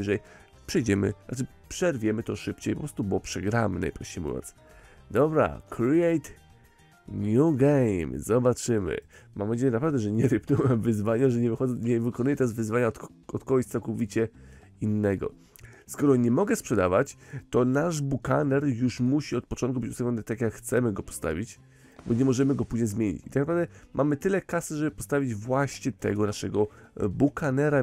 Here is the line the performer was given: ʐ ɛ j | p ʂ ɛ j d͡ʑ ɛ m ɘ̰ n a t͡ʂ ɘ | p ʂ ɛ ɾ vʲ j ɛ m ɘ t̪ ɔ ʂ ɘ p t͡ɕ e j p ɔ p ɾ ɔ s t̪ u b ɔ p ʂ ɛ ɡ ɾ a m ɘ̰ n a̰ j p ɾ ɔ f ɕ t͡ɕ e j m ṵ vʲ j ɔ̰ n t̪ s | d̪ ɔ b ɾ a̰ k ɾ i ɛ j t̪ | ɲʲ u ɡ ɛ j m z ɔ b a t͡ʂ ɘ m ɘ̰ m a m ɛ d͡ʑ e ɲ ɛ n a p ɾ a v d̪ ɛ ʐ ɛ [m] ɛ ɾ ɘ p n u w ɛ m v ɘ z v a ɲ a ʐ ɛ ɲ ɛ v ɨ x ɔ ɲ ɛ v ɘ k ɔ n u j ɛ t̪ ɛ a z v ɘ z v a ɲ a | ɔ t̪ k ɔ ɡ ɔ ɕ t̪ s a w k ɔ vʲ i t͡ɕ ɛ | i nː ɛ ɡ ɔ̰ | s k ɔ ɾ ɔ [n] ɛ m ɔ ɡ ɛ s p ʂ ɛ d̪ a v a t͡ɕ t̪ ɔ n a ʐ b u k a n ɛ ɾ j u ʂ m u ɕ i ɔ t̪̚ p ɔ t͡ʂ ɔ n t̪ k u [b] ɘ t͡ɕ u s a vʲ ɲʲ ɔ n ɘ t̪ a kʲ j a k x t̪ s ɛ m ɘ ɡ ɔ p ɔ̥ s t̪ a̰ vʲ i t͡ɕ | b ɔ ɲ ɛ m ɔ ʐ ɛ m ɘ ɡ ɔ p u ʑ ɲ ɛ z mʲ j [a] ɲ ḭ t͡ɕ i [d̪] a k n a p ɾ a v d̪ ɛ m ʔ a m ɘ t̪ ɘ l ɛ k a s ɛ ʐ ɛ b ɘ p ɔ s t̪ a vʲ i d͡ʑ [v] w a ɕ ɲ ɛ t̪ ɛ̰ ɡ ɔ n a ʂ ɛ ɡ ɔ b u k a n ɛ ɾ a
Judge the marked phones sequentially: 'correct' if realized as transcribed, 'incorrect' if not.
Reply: incorrect: ɲ, incorrect: ɲ, correct, incorrect: e, incorrect: t̪, correct

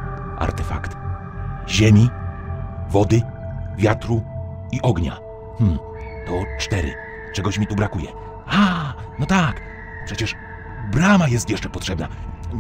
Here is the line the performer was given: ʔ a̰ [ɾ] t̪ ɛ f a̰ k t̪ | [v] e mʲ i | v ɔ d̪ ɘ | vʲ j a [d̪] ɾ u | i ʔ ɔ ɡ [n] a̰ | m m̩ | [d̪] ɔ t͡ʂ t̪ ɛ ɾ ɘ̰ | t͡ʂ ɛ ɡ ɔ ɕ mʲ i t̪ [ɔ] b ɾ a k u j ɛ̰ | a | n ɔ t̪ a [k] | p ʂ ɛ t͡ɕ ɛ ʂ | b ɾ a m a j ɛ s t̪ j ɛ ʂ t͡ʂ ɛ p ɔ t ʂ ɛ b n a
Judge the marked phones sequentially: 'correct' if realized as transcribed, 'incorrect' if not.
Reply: correct, incorrect: ʑ, incorrect: t̪, incorrect: ɲ, incorrect: t̪, incorrect: u, correct

